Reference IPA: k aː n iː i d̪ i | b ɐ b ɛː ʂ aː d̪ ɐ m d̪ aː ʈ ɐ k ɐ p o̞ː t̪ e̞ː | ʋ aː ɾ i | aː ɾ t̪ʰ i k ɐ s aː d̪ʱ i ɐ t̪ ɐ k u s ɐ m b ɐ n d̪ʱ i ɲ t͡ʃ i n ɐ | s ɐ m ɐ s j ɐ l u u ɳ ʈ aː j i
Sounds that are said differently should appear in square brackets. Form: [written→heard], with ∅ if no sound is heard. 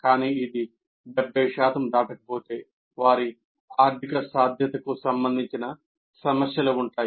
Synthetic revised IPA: k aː n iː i d̪ i | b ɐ b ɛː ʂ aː [d̪→t̪] ɐ m d̪ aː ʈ ɐ k ɐ p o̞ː t̪ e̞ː | ʋ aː ɾ i | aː ɾ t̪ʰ i k ɐ s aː d̪ʱ [i→j] ɐ t̪ ɐ k u s ɐ m b ɐ n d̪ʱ i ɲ t͡ʃ i n ɐ | s ɐ m ɐ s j ɐ l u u ɳ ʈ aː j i